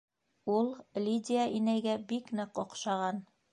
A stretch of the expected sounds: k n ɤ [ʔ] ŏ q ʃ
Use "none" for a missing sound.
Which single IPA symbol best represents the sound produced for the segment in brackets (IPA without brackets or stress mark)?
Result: q